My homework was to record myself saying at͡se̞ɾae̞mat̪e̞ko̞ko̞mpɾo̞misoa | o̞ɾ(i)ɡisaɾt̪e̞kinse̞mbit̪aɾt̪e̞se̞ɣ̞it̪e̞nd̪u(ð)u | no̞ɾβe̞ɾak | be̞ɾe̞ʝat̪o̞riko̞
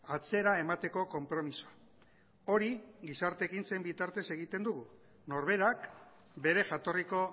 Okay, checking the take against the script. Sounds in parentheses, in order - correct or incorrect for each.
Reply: correct, incorrect: ɣ

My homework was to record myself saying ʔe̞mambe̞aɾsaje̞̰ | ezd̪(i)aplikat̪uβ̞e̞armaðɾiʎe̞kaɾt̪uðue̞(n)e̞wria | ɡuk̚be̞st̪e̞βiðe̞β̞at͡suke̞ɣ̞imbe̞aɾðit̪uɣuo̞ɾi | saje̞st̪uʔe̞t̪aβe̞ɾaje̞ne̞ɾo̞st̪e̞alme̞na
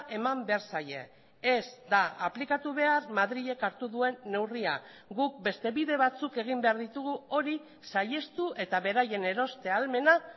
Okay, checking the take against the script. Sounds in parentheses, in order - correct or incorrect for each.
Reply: incorrect: a, incorrect: nː

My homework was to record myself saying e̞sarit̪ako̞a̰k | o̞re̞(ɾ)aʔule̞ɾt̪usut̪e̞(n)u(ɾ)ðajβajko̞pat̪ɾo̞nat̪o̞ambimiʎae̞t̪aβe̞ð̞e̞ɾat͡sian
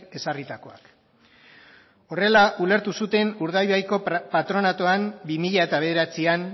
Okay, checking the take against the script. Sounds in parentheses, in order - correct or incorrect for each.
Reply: incorrect: l, correct, correct

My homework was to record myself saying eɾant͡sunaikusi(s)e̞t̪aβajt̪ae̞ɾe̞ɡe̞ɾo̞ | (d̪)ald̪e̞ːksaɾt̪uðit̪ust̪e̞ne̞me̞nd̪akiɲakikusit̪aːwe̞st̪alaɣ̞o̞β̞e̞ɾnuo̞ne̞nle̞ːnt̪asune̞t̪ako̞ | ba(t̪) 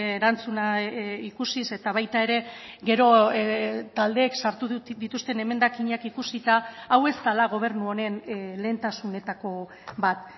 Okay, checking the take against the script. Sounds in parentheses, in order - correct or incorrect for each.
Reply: correct, incorrect: t̪, correct

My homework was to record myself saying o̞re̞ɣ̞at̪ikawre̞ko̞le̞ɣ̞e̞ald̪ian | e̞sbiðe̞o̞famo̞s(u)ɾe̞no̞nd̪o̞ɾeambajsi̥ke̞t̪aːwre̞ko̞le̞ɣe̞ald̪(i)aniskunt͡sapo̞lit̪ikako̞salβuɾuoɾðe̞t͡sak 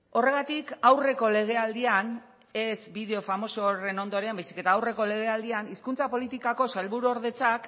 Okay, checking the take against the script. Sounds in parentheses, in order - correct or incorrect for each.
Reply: incorrect: o, correct

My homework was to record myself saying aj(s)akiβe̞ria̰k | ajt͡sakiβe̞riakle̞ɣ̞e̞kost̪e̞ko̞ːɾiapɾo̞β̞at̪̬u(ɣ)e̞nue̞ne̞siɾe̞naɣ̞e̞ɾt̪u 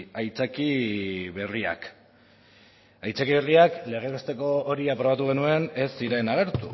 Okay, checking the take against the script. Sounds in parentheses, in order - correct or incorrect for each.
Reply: incorrect: t͡s, correct

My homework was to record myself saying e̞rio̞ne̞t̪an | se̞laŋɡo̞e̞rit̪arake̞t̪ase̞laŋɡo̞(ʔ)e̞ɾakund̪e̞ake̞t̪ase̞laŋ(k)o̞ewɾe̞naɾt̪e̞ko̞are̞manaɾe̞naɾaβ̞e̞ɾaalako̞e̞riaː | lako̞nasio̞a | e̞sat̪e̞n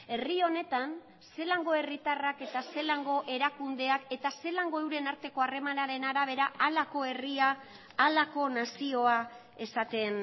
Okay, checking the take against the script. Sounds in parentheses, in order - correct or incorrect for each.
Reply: correct, incorrect: ɡ

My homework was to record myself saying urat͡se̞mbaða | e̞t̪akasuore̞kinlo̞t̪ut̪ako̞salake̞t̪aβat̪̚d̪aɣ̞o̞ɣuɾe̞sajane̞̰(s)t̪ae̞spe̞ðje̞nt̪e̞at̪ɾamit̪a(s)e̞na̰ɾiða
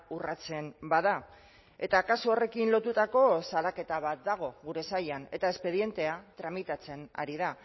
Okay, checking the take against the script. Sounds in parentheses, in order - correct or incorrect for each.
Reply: incorrect: none, incorrect: t͡s

